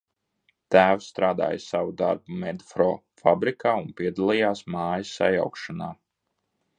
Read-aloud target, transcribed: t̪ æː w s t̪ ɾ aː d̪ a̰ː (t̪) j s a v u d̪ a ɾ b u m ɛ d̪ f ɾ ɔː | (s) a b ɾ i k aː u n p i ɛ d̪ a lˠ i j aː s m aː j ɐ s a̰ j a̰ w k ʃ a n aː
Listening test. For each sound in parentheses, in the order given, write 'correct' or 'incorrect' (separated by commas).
incorrect, incorrect